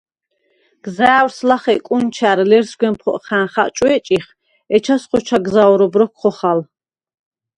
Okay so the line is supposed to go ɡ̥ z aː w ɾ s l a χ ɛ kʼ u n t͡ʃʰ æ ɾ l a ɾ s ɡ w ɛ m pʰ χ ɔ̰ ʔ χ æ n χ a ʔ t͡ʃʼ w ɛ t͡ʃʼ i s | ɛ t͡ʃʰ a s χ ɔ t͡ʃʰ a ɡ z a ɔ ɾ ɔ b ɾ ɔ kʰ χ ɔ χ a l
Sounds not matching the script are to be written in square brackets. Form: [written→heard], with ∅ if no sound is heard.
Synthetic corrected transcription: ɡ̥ z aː w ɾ s l a χ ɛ kʼ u n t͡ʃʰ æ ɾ l [a→ɛ] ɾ s ɡ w ɛ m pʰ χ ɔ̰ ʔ χ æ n χ a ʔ t͡ʃʼ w ɛ t͡ʃʼ i [s→χ] | ɛ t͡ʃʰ a s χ ɔ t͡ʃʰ a ɡ z a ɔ ɾ ɔ b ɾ ɔ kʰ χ ɔ χ a l